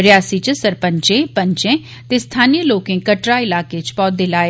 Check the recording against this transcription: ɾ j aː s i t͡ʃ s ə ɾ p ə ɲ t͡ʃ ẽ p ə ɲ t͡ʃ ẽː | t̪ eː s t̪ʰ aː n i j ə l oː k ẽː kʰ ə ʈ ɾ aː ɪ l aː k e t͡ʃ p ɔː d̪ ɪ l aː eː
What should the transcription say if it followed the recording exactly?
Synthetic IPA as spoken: ɾ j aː s i t͡ʃ s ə ɾ p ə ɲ t͡ʃ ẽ p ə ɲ t͡ʃ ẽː | t̪ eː s t̪ʰ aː n i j ə l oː k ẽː k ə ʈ ɾ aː ɪ l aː k e t͡ʃ p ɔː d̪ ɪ l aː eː